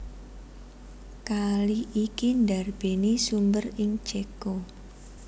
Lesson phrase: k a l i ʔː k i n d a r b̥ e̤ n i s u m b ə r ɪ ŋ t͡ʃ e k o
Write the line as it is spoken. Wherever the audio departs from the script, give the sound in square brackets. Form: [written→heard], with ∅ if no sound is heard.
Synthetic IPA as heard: k a l i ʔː k i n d a r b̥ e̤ n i s u m b ə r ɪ ŋ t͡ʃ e k o